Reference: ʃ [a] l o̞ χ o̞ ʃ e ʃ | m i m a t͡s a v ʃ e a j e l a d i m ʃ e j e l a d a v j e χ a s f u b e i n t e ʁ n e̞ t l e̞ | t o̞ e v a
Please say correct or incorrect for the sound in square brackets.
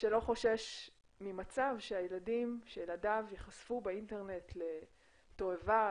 incorrect